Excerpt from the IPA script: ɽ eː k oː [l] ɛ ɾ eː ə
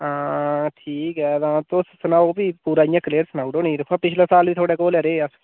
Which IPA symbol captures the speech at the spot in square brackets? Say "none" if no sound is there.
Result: l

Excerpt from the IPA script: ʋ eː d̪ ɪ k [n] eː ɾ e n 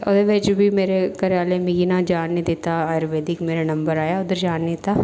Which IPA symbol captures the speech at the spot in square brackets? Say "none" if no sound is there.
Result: m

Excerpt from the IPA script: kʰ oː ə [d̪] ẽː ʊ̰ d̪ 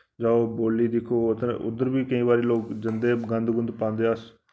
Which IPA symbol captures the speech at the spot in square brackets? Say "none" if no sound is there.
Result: t̪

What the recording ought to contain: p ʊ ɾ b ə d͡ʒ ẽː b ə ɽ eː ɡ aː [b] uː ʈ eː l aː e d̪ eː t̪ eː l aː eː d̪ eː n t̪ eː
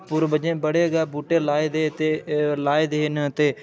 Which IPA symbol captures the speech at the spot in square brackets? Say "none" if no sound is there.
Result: b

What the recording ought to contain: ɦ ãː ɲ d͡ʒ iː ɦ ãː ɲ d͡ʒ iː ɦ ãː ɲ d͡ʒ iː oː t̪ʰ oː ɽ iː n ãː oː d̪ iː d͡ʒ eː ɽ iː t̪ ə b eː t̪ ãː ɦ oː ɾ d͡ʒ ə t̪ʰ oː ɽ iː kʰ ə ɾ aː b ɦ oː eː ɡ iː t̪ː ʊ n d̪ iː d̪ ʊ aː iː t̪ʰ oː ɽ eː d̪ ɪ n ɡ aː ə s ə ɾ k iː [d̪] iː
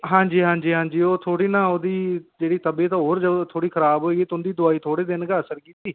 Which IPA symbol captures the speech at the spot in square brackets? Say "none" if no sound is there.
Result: t̪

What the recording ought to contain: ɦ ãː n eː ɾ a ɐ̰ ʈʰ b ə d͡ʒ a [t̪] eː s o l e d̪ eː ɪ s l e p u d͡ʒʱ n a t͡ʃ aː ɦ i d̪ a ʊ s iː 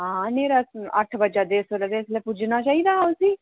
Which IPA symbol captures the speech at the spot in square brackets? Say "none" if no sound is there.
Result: d̪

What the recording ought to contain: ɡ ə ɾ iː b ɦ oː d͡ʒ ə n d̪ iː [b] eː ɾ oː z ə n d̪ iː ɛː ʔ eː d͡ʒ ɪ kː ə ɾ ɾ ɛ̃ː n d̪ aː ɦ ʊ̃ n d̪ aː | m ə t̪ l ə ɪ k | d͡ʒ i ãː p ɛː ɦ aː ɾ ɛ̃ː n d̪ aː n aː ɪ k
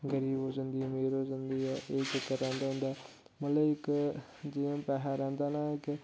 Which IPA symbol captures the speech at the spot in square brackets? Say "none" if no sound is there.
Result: m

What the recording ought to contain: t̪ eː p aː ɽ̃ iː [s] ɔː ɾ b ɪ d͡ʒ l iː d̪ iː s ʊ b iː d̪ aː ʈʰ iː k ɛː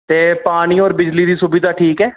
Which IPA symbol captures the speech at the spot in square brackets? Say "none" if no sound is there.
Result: none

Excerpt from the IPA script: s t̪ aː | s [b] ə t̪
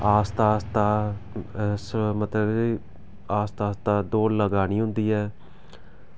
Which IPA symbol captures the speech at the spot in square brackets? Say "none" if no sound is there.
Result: m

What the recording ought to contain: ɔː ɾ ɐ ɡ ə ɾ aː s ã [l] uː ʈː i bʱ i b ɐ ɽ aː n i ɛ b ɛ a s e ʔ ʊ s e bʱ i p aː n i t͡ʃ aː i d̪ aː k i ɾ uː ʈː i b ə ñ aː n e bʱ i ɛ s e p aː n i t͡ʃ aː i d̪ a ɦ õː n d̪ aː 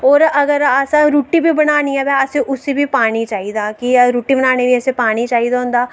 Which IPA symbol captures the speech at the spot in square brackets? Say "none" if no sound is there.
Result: ɾ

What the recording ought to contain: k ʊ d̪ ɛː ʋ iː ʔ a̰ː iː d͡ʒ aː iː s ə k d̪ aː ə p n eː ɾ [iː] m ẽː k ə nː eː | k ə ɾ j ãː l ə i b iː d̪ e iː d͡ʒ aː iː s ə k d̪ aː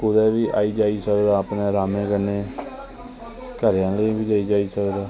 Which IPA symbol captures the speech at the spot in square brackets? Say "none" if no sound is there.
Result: aː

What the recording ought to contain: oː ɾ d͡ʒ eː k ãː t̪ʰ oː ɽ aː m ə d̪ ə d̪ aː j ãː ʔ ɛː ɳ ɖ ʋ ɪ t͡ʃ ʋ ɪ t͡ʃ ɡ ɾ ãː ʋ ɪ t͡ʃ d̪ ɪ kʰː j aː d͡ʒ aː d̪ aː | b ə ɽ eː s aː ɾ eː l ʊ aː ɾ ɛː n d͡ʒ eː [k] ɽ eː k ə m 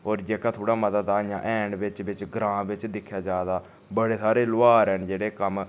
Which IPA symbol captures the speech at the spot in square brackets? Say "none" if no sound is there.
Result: none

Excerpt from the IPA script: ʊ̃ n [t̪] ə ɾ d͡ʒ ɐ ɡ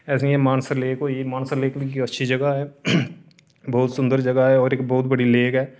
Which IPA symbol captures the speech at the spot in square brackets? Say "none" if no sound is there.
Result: d̪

